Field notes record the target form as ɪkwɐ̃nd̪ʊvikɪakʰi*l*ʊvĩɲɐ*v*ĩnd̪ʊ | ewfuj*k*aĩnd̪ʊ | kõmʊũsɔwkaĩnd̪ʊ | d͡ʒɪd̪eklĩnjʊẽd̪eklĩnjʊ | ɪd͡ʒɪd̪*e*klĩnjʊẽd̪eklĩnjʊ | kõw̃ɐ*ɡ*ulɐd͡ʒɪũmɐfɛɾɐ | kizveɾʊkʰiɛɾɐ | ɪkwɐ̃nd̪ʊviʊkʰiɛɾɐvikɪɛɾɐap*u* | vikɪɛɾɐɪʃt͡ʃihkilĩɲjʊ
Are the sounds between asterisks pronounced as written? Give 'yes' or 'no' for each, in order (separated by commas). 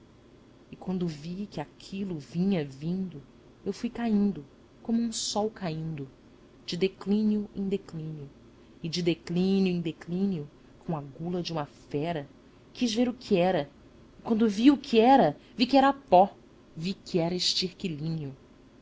yes, yes, yes, yes, yes, no